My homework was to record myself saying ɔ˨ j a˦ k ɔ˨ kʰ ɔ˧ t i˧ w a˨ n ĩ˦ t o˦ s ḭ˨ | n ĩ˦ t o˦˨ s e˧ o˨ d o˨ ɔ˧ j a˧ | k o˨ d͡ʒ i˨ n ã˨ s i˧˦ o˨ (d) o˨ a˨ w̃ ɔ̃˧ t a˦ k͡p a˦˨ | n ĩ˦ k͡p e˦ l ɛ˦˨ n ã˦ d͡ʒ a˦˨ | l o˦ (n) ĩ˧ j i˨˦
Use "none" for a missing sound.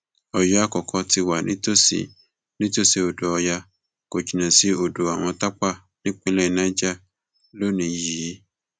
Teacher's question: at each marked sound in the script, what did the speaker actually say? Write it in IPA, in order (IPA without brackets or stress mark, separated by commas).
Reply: d, n